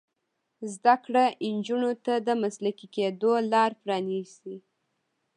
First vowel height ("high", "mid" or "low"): low